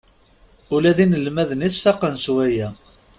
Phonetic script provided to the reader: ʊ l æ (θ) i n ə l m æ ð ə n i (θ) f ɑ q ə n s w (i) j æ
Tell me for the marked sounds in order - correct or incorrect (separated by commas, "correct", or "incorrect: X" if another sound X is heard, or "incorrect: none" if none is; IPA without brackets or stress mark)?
incorrect: ð, incorrect: s, incorrect: æ